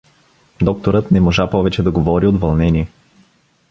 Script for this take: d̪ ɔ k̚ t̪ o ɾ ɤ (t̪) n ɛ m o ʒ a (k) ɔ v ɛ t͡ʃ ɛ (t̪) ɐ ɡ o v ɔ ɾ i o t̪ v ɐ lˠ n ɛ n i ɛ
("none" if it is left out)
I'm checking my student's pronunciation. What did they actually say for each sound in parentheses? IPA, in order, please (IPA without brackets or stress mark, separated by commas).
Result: t̪, p, d̪